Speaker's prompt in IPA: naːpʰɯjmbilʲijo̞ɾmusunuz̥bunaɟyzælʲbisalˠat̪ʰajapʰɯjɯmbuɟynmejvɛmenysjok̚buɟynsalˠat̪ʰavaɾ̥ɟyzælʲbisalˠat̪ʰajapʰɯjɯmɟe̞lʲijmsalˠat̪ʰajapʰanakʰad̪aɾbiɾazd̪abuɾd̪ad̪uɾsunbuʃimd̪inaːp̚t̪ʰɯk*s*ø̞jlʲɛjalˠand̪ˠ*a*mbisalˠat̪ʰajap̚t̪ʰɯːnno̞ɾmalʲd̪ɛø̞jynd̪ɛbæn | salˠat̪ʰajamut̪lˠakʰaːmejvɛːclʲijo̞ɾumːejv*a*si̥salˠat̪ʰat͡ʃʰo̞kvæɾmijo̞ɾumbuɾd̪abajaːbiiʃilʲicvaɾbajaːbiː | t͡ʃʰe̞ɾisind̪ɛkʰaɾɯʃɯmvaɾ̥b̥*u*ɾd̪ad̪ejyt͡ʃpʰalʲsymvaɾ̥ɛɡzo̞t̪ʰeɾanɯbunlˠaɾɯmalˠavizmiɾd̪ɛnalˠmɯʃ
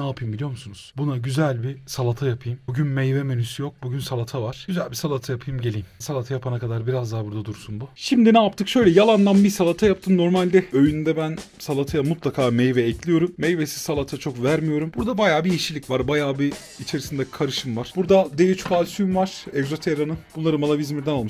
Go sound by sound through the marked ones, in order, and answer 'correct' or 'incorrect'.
incorrect: ʃ, correct, incorrect: e, correct

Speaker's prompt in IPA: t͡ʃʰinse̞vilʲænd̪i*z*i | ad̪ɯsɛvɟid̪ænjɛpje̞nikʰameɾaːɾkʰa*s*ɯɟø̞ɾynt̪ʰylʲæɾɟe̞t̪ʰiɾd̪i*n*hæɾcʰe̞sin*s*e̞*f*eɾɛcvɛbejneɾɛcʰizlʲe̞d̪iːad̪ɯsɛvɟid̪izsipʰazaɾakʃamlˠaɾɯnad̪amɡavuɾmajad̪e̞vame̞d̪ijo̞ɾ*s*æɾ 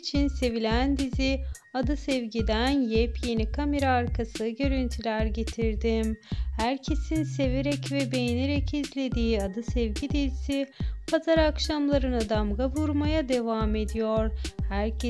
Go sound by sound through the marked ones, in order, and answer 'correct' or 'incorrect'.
correct, correct, incorrect: m, correct, incorrect: v, incorrect: h

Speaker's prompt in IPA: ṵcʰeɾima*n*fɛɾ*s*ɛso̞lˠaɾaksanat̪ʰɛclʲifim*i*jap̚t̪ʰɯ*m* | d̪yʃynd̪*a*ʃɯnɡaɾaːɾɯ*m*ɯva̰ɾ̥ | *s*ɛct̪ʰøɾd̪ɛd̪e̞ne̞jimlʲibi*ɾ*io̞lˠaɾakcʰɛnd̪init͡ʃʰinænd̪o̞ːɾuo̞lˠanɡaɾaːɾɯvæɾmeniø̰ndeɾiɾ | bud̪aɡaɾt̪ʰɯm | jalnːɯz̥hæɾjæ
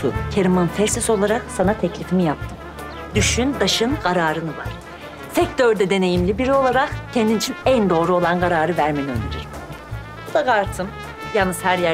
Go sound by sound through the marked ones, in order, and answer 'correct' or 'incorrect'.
correct, correct, correct, correct, correct, incorrect: n, correct, correct

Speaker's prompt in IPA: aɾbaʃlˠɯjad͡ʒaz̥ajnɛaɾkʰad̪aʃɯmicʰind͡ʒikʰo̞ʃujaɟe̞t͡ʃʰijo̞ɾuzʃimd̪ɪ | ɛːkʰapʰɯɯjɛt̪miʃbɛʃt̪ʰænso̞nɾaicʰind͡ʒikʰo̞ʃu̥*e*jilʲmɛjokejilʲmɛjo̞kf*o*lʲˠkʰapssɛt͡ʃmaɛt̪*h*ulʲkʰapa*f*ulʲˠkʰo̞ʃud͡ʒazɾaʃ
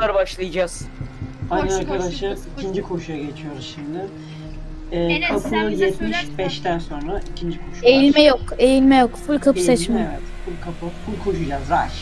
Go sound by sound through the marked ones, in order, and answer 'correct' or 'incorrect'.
correct, incorrect: u, incorrect: f, correct

